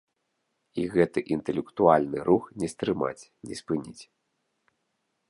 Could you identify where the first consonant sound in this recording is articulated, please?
velar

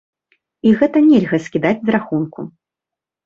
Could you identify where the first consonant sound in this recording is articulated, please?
velar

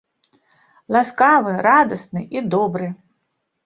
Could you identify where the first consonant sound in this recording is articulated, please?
alveolar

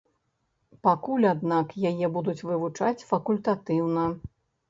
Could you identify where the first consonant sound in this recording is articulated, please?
labial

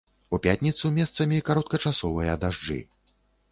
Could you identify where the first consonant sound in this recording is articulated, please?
labial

